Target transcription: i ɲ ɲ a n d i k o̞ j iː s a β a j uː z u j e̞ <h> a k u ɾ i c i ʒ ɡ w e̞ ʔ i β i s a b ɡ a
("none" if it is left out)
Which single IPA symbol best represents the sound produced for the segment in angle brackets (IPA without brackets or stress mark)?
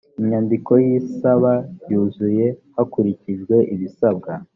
h